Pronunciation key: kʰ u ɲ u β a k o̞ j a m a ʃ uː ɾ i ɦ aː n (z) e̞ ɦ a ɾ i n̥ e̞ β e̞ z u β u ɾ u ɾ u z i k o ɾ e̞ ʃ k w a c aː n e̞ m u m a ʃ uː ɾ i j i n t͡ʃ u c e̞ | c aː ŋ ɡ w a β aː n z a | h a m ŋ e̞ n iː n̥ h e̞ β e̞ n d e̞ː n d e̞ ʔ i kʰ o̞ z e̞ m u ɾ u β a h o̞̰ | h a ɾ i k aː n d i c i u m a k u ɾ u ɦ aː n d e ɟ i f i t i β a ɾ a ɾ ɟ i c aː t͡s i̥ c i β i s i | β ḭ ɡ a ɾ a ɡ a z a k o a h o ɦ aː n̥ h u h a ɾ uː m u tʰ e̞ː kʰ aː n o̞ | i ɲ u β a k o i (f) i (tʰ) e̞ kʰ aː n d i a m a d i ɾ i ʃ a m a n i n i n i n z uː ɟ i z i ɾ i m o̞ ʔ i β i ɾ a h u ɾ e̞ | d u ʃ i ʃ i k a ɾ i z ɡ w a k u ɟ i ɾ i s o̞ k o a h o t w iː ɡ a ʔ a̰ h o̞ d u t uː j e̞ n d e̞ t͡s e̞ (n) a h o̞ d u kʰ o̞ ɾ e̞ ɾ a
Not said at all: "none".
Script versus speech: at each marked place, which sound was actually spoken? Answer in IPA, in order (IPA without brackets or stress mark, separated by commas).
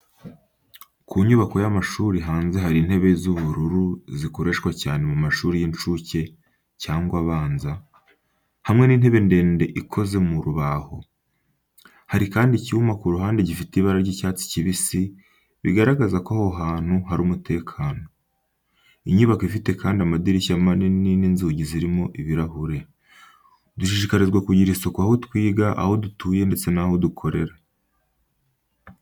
z, f, t, n